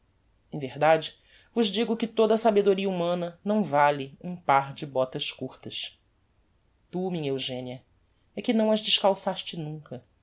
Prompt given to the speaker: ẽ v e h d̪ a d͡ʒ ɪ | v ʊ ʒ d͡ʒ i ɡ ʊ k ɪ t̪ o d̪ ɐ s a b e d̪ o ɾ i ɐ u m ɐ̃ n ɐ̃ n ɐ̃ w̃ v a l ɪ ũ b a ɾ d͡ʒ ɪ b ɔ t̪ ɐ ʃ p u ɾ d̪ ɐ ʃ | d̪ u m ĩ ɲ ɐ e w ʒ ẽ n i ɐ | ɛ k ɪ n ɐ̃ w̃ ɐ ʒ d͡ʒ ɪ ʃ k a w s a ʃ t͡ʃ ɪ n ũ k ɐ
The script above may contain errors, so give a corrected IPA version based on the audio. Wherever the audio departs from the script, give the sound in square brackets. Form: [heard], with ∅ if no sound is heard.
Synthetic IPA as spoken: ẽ v e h d̪ a d͡ʒ ɪ | v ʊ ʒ d͡ʒ i ɡ ʊ k ɪ t̪ o d̪ ɐ s a b e d̪ o ɾ i ɐ u m ɐ̃ n [ɐ] n ɐ̃ w̃ v a l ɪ ũ [p] a ɾ d͡ʒ ɪ b ɔ t̪ ɐ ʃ [k] u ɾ [t̪] ɐ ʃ | [t̪] u m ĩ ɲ ɐ e w ʒ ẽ n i ɐ | ɛ k ɪ n ɐ̃ w̃ ɐ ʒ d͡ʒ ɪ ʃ k a w s a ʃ t͡ʃ ɪ n ũ k ɐ